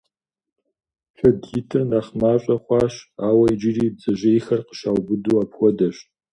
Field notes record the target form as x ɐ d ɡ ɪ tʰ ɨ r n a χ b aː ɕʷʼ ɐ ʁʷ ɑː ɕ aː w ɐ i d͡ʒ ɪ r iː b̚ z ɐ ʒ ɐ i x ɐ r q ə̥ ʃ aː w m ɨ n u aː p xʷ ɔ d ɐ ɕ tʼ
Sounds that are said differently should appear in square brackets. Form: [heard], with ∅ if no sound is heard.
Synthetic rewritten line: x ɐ d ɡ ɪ tʰ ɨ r n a χ [m] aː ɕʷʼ ɐ [χʷ] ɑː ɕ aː w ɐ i d͡ʒ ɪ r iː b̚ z ɐ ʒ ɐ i x ɐ r q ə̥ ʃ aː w [b] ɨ [d] u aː p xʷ ɔ d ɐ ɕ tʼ